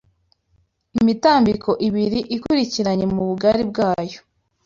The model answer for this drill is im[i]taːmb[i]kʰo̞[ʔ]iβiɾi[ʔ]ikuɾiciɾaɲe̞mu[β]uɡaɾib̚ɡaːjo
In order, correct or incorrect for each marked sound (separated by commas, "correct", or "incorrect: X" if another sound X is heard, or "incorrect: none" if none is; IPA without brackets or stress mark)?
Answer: correct, correct, correct, correct, correct